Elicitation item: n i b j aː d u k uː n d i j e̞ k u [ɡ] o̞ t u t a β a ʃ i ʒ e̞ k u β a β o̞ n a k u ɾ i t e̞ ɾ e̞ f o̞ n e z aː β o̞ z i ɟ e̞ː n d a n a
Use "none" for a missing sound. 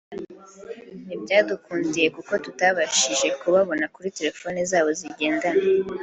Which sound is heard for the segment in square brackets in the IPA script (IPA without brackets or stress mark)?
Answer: k